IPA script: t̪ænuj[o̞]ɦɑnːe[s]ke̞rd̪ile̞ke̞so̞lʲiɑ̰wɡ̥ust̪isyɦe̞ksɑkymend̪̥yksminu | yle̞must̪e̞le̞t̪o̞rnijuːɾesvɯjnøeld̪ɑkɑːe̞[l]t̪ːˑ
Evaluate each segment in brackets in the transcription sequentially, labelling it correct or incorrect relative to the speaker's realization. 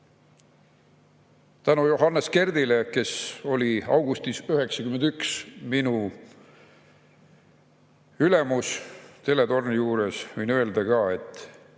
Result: correct, correct, incorrect: none

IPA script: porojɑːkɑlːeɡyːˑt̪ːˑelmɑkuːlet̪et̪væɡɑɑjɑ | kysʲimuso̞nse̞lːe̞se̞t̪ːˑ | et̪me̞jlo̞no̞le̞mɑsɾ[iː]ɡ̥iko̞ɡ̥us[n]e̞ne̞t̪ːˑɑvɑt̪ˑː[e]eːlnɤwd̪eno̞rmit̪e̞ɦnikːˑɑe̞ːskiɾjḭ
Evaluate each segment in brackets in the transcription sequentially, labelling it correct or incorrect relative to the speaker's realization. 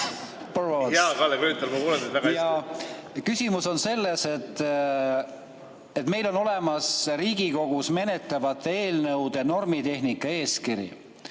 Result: correct, incorrect: m, correct

